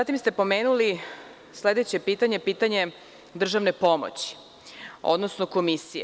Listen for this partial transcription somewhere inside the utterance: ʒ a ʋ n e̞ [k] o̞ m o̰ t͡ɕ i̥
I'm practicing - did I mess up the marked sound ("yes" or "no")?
yes